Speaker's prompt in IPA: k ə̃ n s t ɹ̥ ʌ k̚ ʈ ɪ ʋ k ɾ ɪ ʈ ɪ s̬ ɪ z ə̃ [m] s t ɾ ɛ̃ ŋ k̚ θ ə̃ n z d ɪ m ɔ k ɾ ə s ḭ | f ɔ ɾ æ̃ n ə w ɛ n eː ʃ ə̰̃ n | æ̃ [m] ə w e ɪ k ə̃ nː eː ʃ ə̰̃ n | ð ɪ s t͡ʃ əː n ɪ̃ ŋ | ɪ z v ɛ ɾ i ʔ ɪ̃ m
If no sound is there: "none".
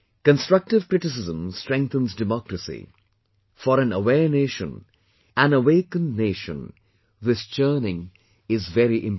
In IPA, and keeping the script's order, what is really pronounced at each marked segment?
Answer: m, n

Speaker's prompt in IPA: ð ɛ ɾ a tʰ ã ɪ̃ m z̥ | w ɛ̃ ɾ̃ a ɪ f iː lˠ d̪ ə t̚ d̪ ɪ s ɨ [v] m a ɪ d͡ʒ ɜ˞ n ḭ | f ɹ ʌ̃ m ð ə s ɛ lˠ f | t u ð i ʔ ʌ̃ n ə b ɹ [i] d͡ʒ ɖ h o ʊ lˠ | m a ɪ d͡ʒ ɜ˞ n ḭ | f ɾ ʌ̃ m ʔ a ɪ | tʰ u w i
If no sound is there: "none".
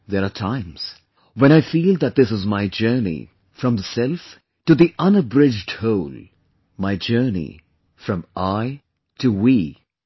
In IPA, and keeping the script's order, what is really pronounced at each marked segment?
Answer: z, ɪ

